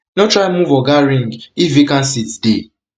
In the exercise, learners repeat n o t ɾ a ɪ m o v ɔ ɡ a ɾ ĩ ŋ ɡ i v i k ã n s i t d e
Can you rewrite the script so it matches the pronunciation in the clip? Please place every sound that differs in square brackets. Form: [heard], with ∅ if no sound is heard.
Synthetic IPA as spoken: n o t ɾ a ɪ m [u] v ɔ ɡ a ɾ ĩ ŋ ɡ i v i k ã n s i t d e